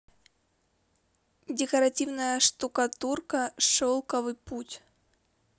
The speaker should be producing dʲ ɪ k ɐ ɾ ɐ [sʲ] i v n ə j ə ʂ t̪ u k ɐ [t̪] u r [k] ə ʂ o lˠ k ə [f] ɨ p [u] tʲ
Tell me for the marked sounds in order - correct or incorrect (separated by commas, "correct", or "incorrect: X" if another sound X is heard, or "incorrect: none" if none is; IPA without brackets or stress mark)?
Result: incorrect: tʲ, correct, correct, incorrect: v, correct